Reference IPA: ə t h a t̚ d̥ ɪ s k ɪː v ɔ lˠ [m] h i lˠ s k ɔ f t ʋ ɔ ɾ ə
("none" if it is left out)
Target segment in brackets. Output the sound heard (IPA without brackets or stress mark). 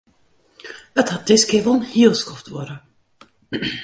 n